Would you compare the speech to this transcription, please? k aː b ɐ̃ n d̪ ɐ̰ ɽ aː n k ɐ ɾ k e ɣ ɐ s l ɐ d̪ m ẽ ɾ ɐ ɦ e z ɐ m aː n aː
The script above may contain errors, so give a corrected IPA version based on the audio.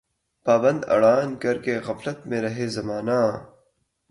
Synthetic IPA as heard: p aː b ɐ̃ n d̪ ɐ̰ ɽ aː n k ɐ ɾ k e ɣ ɐ f l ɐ t̪ m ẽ ɾ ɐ ɦ e z ɐ m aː n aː